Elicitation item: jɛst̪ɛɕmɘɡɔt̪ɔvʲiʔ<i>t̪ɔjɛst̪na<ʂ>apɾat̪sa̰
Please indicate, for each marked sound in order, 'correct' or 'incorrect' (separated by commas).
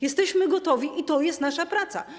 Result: correct, correct